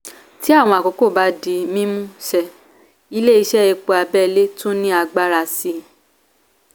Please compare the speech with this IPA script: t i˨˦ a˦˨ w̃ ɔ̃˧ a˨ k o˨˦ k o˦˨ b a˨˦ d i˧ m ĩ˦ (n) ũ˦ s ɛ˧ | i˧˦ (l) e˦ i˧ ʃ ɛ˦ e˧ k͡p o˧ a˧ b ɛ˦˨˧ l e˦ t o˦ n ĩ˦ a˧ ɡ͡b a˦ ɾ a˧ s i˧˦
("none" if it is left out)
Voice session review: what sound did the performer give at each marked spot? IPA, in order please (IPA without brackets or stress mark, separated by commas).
m, l